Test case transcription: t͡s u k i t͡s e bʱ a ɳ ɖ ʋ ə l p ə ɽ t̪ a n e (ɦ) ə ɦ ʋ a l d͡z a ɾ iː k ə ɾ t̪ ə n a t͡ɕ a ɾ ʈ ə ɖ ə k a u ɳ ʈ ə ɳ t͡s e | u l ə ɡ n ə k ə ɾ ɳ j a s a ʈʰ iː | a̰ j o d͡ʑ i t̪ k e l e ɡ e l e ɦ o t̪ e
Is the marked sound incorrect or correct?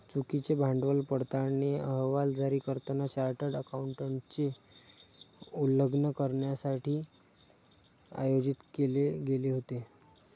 incorrect